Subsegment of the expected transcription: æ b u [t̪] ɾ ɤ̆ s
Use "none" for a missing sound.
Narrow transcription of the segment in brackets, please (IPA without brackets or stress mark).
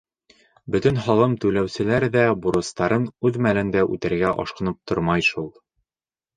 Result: none